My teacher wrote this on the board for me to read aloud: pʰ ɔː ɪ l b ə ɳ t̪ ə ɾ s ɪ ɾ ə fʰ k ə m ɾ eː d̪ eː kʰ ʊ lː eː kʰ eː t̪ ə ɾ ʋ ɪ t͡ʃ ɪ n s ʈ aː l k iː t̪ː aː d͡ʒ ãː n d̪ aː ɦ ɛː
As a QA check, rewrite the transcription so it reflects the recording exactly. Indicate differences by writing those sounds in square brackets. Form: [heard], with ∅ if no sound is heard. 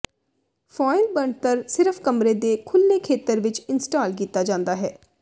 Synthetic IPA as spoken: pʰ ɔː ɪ l b ə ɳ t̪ ə ɾ s ɪ ɾ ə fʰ k ə m ɾ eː d̪ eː kʰ ʊ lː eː kʰ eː t̪ ə ɾ ʋ ɪ t͡ʃ ɪ n s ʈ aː l k iː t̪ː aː d͡ʒ ãː n d̪ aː ɦ ɛː

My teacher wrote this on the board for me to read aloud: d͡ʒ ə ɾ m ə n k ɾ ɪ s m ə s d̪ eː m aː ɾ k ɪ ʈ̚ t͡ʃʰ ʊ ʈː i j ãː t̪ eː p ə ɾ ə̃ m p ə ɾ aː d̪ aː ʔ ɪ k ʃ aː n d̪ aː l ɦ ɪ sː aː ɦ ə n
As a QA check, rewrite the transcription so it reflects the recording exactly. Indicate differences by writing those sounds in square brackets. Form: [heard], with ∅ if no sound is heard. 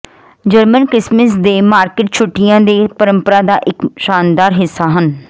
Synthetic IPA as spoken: d͡ʒ ə ɾ m ə n k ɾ ɪ s m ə s d̪ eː m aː ɾ k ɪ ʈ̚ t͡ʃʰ ʊ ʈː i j ãː [d̪] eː p ə ɾ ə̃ m p ə ɾ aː d̪ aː ʔ ɪ k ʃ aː n d̪ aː [ɾ] ɦ ɪ sː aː ɦ ə n

